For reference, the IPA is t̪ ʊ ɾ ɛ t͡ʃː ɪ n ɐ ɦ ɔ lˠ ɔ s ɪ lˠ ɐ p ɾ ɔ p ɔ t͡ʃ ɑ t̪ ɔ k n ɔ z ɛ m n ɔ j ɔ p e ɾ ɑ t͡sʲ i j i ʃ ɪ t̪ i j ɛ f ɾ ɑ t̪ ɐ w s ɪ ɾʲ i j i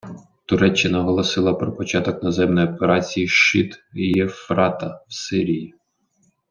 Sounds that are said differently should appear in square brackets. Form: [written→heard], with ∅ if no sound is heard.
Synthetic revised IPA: t̪ ʊ ɾ ɛ t͡ʃː ɪ n ɐ ɦ ɔ lˠ ɔ s ɪ lˠ ɐ p ɾ ɔ p ɔ t͡ʃ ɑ t̪ ɔ k n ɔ z ɛ m n ɔ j ɔ p e ɾ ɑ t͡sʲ i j i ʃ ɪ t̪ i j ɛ f ɾ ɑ t̪ ɐ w s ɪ ɾʲ i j i